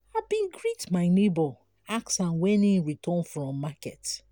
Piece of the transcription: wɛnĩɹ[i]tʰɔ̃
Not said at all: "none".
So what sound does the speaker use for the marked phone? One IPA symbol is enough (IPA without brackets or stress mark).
i